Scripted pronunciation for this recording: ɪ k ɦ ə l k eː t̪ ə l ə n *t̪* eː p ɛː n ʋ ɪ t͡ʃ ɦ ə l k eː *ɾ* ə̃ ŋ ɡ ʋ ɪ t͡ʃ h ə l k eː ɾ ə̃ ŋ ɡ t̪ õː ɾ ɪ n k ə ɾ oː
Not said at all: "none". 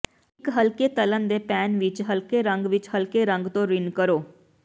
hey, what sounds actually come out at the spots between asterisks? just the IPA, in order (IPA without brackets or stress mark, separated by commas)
d̪, ɾ